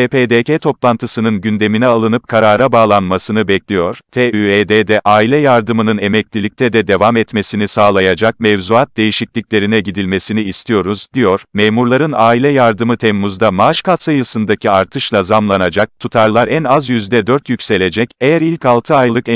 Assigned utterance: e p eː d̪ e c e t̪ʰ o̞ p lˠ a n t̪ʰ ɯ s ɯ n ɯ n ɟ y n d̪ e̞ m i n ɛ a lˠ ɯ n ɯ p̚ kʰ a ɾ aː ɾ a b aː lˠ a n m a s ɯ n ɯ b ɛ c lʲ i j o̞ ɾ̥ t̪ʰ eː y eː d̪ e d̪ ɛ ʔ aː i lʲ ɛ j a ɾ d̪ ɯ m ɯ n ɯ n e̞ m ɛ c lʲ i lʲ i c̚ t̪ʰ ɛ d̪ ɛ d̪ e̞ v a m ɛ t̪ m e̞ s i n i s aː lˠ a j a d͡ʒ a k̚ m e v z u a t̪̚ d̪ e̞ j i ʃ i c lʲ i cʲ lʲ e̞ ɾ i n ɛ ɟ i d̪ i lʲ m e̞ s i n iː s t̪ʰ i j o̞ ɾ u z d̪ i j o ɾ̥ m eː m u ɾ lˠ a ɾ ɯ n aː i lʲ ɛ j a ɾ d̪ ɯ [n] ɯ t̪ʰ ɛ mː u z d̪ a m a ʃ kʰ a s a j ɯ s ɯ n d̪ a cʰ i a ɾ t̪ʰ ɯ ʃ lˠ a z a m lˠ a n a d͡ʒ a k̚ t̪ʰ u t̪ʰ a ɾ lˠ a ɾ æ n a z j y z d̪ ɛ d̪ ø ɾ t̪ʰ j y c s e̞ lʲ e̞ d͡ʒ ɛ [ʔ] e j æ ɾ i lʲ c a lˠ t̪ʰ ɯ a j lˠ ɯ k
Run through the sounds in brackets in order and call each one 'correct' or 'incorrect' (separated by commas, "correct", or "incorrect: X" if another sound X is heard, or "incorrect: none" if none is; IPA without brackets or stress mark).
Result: incorrect: m, incorrect: c